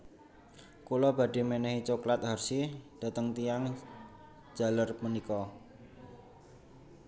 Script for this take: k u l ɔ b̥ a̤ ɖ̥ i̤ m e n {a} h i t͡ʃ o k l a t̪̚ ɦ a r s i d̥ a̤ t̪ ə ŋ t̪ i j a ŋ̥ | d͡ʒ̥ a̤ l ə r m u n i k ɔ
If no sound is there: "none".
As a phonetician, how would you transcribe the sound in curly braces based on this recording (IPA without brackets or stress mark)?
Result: ɛ